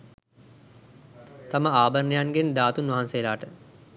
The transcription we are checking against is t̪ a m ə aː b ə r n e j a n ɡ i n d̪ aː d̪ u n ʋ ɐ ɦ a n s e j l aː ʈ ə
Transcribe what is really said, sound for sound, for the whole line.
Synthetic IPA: t̪ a m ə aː b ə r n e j a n ɡ e n d̪ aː t̪ u n ʋ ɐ ɦ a n s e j l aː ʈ ə